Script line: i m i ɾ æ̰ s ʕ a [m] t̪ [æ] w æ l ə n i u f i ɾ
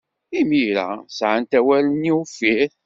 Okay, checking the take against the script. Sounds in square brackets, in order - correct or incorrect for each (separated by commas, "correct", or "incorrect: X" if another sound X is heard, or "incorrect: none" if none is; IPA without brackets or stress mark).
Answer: incorrect: n, correct